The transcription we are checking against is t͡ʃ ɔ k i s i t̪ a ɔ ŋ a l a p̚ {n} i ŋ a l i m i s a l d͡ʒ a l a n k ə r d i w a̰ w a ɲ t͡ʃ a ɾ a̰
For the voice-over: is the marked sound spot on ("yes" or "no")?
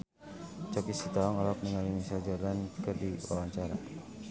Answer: yes